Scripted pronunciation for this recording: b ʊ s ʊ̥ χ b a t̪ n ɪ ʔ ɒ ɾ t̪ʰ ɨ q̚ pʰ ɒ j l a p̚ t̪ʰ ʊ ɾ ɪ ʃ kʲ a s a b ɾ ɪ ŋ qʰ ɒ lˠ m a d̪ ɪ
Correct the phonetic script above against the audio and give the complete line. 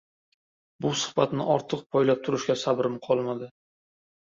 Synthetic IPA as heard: b ʊ s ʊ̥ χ b a t̪ n ɪ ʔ ɒ ɾ t̪ʰ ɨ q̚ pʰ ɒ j l a p̚ t̪ʰ ʊ ɾ ɪ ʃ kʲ a s a b ɾ ɪ m qʰ ɒ lˠ m a d̪ ɪ